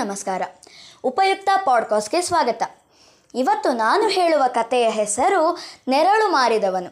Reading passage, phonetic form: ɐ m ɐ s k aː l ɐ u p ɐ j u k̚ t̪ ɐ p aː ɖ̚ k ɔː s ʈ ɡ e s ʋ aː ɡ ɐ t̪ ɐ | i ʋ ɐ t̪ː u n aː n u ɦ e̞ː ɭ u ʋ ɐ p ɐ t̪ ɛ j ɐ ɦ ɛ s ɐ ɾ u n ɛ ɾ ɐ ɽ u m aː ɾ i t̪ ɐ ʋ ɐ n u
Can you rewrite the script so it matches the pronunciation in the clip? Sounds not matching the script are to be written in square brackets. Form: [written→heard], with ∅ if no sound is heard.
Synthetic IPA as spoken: ɐ m ɐ s k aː [l→ɾ] ɐ u p ɐ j u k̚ t̪ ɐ p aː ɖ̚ k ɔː s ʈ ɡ e s ʋ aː ɡ ɐ t̪ ɐ | i ʋ ɐ t̪ː u n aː n u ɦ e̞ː ɭ u ʋ ɐ [p→k] ɐ t̪ ɛ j ɐ ɦ ɛ s ɐ ɾ u n ɛ ɾ ɐ [ɽ→ɭ] u m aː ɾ i [t̪→d̪] ɐ ʋ ɐ n u